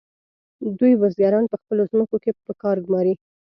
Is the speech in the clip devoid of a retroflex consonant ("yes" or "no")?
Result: yes